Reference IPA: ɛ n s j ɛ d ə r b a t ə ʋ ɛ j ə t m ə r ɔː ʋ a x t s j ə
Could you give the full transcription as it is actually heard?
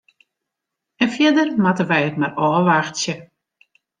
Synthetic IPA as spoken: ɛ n f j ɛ d ə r m a t ə ʋ ɛ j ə t m a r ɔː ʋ a x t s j ə